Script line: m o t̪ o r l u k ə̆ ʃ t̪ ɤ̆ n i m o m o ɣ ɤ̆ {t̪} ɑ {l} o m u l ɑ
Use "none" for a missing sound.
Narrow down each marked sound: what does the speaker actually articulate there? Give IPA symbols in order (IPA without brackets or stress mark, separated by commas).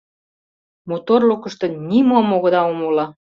d̪, none